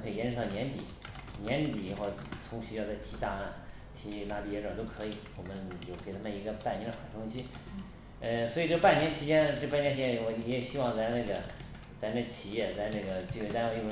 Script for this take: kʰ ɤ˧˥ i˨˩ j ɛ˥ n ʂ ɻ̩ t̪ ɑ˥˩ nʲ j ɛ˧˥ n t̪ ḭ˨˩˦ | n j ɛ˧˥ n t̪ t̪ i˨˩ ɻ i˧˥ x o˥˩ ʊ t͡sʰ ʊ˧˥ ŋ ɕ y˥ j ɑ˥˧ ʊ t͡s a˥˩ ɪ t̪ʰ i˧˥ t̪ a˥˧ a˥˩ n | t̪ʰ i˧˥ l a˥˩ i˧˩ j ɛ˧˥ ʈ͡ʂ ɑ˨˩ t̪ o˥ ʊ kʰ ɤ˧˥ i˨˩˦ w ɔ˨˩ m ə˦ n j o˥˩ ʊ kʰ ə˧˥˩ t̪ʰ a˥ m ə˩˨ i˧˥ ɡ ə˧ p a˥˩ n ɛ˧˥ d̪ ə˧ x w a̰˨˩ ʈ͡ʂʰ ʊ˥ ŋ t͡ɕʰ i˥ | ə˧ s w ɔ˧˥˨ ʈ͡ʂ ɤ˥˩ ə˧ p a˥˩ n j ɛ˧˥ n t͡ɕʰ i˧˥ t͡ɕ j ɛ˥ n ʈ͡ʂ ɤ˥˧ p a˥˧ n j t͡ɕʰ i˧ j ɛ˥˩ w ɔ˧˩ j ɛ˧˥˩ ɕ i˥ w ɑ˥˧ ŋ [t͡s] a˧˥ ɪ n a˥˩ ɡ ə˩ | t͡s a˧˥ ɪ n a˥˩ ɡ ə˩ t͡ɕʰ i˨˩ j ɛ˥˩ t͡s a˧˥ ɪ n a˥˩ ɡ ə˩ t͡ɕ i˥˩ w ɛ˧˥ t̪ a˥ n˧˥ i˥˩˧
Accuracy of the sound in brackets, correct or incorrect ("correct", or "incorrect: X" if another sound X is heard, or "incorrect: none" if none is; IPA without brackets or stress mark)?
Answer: correct